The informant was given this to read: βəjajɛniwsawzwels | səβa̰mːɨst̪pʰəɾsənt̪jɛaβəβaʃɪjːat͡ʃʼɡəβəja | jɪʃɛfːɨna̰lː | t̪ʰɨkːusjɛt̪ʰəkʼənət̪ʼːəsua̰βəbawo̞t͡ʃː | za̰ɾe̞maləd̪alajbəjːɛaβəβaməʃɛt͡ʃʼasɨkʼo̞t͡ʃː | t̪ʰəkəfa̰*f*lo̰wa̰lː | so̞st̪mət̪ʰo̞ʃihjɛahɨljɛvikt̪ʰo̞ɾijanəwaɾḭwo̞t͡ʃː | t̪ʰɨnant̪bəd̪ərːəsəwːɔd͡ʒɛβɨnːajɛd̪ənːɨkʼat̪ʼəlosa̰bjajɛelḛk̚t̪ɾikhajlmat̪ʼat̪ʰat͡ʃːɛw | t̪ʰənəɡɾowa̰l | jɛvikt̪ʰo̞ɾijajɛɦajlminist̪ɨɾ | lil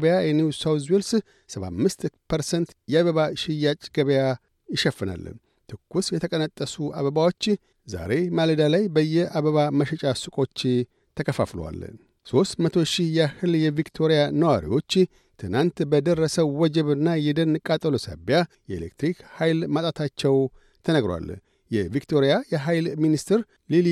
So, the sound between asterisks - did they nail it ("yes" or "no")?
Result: yes